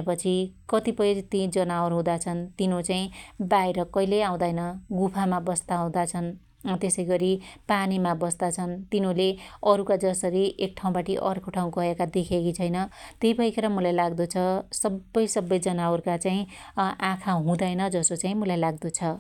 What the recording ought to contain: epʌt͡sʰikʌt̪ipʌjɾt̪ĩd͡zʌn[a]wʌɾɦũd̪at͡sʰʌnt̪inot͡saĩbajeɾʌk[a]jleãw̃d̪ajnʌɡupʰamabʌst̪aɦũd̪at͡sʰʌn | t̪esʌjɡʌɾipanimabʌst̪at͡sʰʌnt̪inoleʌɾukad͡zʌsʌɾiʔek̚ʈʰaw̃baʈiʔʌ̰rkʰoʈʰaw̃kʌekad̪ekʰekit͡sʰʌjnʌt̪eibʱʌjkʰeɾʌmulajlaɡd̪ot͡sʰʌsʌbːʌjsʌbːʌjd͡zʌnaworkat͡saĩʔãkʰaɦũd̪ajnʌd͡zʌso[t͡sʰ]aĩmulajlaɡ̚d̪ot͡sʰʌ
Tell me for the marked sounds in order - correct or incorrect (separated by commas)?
correct, incorrect, incorrect